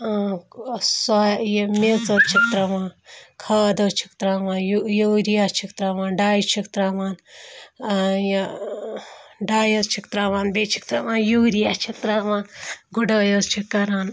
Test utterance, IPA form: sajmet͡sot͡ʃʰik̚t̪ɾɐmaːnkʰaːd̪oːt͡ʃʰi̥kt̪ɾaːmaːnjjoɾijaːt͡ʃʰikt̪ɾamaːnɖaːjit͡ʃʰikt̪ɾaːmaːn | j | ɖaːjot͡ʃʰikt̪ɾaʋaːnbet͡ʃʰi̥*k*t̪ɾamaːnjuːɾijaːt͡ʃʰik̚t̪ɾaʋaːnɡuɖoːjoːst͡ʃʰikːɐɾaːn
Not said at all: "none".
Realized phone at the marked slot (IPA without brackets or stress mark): k